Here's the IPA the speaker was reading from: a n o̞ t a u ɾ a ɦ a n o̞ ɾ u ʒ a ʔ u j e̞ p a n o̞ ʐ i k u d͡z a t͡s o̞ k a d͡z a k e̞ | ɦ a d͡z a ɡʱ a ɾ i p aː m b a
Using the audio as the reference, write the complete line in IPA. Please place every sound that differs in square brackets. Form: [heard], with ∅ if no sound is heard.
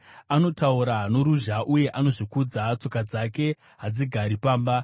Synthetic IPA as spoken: a n o̞ t a u ɾ a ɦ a n o̞ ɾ u ʒ a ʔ u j e̞ [ʔ] a n o̞ ʐ i k u d͡z a t͡s o̞ k a d͡z a k e̞ | ɦ a d͡z [i] ɡʱ a ɾ i p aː m b a